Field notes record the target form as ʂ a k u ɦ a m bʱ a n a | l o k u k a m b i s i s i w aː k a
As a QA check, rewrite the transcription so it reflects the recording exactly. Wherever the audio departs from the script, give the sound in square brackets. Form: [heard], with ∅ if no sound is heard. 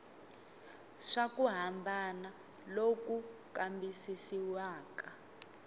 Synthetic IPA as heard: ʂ a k u ɦ a m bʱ a n a | l o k u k a m b i s i s i w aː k a